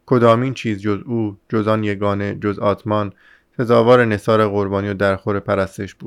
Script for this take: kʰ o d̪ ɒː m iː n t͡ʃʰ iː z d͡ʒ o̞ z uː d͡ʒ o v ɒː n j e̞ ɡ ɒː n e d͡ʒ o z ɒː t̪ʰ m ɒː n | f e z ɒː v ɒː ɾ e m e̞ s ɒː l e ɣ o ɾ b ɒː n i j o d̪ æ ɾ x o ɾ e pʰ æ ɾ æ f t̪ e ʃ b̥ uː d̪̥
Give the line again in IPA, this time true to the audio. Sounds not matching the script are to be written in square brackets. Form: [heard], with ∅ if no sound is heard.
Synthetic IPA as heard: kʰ o d̪ ɒː m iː n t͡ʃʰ iː z d͡ʒ o̞ z uː d͡ʒ o [z] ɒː n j e̞ ɡ ɒː n e d͡ʒ o z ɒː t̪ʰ m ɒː n | f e z ɒː v ɒː ɾ e [n] e̞ s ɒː [ɾ] e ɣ o ɾ b ɒː n i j o d̪ æ ɾ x o ɾ e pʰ æ ɾ æ [s] t̪ e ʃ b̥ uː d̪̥